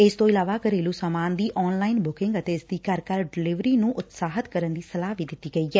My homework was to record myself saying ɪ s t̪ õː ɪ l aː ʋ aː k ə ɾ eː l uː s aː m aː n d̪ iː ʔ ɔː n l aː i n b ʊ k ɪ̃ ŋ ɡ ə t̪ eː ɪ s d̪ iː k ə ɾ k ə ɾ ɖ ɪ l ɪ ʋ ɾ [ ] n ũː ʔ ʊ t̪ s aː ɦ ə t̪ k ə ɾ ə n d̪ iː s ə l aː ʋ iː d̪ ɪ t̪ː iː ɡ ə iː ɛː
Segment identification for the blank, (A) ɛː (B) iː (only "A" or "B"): B